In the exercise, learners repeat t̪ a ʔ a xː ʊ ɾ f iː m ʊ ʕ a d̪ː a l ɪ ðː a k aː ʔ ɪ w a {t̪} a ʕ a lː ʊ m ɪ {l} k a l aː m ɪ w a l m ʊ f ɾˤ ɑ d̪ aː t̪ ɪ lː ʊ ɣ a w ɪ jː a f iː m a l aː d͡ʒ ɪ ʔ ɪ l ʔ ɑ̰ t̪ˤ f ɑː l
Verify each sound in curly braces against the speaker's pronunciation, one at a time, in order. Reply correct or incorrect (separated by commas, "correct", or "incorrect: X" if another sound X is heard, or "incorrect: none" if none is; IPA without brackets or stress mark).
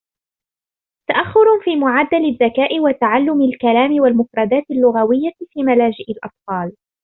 correct, correct